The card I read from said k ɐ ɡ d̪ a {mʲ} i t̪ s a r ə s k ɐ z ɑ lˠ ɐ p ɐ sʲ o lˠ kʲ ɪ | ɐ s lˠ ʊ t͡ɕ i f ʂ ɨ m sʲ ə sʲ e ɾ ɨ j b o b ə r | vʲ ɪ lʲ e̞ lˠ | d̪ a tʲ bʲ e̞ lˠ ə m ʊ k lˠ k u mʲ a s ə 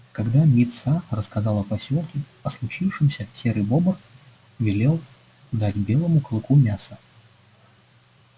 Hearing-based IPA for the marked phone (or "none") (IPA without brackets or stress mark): mʲ